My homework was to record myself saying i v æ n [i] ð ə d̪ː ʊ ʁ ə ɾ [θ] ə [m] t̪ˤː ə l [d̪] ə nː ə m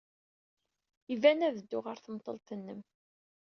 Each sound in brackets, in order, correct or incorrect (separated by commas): incorrect, correct, correct, incorrect